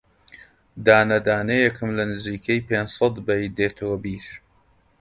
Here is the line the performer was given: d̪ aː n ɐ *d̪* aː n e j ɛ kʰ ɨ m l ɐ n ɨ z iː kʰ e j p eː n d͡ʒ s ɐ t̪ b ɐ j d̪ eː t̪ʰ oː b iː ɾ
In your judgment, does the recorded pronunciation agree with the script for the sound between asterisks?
yes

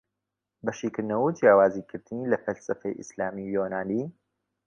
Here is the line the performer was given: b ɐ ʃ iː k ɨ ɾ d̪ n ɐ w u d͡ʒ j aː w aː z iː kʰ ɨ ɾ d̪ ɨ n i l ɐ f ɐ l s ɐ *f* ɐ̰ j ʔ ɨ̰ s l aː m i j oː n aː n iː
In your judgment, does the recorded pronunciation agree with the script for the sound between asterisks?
yes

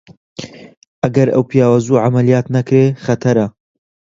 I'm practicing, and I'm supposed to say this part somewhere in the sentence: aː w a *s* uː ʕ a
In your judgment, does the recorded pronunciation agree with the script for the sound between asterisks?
no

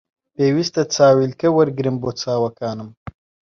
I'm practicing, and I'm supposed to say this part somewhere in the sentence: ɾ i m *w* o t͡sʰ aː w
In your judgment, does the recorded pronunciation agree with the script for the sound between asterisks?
no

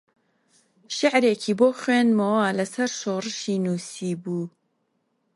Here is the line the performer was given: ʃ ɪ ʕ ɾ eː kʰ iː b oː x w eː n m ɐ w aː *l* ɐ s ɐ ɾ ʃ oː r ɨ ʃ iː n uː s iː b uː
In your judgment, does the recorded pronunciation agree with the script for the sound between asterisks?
yes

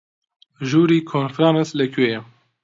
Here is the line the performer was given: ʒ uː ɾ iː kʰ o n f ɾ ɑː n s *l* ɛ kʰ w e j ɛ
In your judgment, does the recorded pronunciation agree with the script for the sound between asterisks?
yes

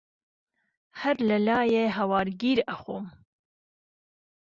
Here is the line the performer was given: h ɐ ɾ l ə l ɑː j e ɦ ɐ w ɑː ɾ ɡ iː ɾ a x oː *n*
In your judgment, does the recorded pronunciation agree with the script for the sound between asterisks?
no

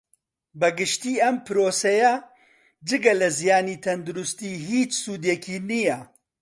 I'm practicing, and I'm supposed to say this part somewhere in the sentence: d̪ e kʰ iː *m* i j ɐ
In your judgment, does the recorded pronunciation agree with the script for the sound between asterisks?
no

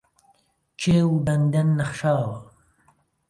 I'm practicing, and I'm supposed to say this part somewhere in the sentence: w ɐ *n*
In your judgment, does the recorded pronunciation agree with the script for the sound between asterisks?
no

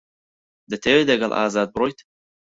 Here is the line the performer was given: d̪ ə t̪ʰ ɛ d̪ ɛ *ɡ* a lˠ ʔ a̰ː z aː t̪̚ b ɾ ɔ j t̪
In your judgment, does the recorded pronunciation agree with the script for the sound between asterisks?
yes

